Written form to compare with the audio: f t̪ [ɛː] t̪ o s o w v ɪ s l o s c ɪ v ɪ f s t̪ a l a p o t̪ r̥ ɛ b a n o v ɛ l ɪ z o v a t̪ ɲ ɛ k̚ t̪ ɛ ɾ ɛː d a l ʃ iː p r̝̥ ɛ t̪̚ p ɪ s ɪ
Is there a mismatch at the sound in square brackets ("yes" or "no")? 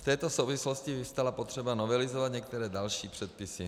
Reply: no